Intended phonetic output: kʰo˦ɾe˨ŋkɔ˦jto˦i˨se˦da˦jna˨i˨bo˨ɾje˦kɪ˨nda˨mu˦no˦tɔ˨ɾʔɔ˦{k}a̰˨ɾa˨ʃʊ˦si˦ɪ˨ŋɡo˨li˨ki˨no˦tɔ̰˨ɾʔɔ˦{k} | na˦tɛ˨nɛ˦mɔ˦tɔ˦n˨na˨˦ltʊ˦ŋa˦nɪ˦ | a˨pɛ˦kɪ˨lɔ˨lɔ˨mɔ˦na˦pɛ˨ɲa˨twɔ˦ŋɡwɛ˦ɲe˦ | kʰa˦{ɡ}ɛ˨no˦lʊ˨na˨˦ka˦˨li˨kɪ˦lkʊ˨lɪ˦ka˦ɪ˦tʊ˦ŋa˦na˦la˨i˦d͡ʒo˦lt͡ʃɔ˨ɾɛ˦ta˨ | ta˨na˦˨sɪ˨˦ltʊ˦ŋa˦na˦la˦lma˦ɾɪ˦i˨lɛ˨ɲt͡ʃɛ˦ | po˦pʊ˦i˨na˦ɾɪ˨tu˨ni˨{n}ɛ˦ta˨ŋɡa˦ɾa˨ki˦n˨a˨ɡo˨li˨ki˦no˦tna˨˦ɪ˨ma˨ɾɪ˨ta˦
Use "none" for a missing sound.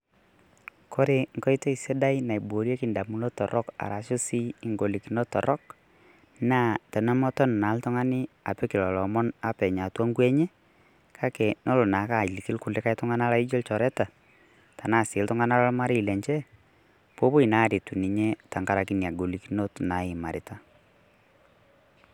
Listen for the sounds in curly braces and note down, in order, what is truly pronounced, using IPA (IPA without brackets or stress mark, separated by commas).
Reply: k, k, k, ɲ